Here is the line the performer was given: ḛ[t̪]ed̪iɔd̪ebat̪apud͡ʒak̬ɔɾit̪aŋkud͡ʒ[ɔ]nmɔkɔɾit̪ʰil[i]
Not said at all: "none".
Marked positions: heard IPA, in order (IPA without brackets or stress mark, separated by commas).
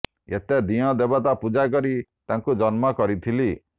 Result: t̪, ɔ, i